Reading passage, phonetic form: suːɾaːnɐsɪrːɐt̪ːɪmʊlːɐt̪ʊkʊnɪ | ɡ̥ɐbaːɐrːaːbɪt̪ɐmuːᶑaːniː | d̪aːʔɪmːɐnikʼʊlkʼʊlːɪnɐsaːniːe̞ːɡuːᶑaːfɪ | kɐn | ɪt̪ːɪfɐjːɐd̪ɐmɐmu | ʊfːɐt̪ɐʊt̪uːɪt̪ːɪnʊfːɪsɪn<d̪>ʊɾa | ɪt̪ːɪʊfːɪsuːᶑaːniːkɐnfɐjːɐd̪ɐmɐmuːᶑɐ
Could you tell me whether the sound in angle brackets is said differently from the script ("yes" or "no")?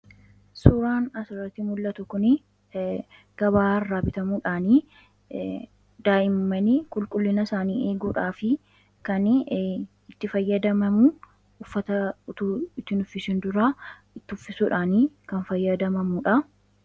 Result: no